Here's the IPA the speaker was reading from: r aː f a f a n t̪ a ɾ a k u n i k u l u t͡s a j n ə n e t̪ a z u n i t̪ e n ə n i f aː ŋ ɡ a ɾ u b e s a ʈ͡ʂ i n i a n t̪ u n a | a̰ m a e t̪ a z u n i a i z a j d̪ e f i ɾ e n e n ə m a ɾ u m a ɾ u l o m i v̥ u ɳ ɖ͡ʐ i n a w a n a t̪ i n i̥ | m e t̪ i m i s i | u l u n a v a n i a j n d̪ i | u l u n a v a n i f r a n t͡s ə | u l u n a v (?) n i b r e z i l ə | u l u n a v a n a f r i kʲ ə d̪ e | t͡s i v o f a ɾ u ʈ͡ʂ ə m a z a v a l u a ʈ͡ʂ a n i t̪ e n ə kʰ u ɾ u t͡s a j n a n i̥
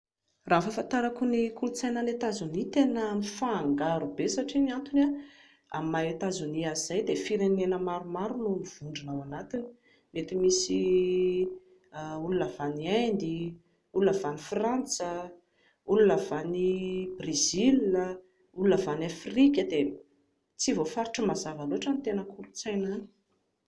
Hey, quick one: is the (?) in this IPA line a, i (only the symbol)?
a